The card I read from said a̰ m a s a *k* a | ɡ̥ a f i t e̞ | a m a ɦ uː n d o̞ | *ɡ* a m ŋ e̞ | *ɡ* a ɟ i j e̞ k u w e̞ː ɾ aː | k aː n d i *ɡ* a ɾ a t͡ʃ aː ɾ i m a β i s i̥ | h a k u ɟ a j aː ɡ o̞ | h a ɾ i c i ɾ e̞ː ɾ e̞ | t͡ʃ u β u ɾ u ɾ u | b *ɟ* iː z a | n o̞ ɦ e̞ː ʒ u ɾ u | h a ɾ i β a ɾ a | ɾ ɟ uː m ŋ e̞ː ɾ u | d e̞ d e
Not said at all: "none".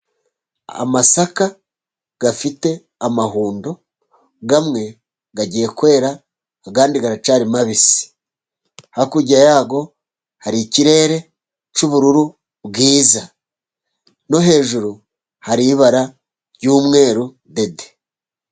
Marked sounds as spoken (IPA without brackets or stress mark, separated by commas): k, ɡ, ɡ, ɡ, ɡ